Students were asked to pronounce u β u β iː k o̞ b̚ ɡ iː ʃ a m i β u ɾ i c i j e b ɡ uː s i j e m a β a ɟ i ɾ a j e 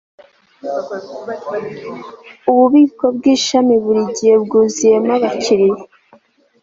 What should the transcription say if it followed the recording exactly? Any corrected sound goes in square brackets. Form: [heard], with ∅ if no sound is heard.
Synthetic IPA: u β u β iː k o̞ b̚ ɡ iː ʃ a m i β u ɾ i [ɟ] i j e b ɡ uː [z] i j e m a β a [c] i ɾ [i] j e